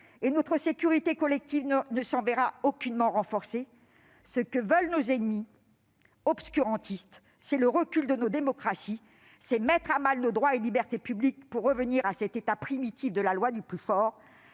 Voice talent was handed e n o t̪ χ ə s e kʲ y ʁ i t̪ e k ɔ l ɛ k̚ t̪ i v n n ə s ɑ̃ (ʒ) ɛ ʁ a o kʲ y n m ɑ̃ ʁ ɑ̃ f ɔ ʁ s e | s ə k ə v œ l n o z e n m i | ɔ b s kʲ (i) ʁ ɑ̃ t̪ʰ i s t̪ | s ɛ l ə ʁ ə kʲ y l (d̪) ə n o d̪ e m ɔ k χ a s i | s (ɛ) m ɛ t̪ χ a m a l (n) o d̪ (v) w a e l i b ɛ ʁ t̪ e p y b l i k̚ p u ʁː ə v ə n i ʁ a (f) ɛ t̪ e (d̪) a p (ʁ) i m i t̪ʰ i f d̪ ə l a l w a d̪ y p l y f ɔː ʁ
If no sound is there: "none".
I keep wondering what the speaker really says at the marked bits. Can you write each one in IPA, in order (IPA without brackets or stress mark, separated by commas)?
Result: v, y, d̪, ɛ, n, ʁ, s, t̪, χ